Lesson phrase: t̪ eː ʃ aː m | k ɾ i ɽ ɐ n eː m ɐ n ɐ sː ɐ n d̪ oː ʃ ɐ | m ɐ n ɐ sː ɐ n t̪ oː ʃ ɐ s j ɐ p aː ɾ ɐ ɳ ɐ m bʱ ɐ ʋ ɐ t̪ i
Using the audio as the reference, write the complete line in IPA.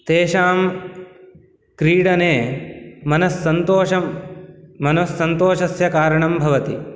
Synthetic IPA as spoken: t̪ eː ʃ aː m | k ɾ iː ɽ ɐ n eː m ɐ n ɐ sː ɐ n t̪ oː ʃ ɐ | m ɐ n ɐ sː ɐ n t̪ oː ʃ ɐ s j ɐ k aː ɾ ɐ ɳ ɐ m bʱ ɐ ʋ ɐ t̪ i